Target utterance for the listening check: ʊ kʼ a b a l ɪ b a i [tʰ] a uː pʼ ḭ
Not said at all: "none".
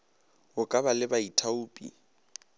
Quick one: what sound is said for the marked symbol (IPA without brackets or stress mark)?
tʰ